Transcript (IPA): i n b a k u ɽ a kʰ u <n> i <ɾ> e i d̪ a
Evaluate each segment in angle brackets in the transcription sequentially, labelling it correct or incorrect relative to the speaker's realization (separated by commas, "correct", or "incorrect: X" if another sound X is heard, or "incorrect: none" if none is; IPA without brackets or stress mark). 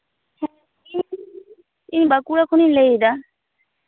correct, incorrect: l